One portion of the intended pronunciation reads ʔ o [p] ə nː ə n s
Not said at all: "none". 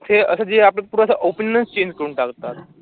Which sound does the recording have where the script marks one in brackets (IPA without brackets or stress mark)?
p